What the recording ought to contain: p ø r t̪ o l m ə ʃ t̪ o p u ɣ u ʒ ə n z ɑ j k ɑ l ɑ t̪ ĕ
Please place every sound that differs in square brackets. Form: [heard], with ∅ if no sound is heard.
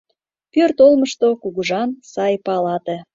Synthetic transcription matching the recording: p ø r t̪ o l m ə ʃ t̪ o [k] u ɣ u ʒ [ɑ] n [s] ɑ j [p] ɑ l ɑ t̪ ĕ